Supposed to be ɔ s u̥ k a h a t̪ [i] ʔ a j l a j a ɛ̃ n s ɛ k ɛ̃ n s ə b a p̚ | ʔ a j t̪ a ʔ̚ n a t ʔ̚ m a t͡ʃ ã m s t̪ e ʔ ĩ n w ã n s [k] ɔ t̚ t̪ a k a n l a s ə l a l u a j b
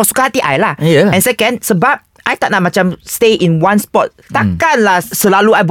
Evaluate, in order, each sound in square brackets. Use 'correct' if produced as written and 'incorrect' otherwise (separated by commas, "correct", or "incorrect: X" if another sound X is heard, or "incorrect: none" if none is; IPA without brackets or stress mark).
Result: correct, incorrect: p